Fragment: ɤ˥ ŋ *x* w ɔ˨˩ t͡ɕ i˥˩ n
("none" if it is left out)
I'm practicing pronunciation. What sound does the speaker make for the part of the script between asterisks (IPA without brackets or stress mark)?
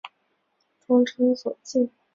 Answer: s